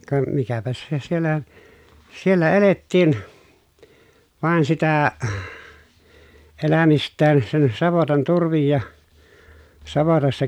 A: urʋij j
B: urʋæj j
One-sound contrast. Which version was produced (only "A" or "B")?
A